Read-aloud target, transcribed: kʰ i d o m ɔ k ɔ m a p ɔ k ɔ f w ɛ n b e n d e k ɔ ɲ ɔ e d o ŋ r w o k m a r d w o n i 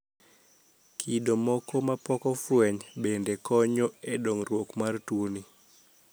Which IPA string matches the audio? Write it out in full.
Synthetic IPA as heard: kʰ i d o m ɔ k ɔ m a p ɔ k ɔ f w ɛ ɲ b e n d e k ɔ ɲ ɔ e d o ŋ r w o k m a r t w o n i